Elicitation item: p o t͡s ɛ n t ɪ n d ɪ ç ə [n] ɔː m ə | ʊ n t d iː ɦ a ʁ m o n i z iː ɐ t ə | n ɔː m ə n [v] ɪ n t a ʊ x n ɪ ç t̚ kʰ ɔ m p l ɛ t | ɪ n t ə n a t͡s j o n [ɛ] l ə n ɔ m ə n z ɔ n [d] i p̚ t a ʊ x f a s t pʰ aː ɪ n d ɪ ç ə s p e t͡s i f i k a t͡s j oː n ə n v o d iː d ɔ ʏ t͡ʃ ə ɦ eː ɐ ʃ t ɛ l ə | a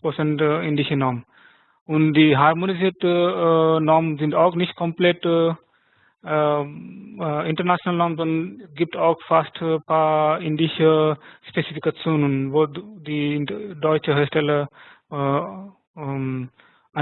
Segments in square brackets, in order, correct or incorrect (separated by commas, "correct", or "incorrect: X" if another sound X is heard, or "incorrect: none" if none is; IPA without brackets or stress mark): correct, incorrect: z, incorrect: a, incorrect: ɡ